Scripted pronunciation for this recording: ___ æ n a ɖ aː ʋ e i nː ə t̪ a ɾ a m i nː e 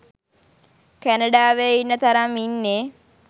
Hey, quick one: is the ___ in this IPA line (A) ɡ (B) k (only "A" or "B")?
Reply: B